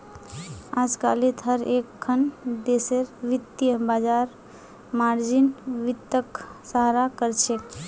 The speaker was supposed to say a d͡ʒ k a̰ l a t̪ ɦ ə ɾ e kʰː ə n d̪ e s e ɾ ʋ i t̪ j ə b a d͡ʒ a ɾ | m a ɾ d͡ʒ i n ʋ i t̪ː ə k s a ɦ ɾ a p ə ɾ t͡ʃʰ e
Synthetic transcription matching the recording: a d͡ʒ k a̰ l i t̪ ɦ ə ɾ e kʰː ə n d̪ e s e ɾ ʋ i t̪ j ə b a d͡ʒ a ɾ | m a ɾ d͡ʒ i n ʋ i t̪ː ə k s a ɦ ɾ a k ə ɾ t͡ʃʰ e